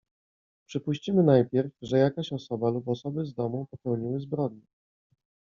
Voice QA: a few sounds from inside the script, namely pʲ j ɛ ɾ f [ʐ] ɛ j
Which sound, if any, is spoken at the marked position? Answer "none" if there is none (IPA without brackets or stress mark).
ʐ